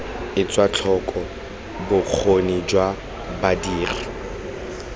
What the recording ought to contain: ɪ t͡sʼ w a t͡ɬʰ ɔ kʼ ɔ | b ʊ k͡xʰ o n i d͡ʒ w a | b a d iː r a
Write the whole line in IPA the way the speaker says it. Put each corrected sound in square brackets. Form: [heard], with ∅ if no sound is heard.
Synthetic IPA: ɪ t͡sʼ w a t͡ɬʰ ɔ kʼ ɔ | b ʊ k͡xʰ o n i d͡ʒ w a | b a d iː r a